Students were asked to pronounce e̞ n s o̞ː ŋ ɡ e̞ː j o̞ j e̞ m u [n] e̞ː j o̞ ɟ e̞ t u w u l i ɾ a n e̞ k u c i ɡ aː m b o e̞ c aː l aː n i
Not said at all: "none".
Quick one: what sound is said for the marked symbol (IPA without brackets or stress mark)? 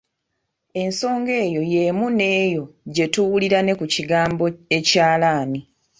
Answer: n